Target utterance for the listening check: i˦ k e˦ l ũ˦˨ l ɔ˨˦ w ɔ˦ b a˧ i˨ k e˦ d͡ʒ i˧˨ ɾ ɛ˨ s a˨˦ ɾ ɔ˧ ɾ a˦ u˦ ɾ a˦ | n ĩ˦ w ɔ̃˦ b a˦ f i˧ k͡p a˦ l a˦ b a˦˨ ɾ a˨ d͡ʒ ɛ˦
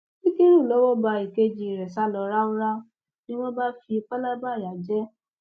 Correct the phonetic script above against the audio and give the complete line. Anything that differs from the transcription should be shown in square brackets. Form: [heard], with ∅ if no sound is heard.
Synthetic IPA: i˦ k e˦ [ɾ] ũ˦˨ l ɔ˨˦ w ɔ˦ b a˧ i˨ k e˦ d͡ʒ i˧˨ ɾ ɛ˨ s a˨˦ [l] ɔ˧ ɾ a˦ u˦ ɾ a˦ | n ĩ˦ w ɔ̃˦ b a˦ f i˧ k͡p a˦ l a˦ b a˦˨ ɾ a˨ d͡ʒ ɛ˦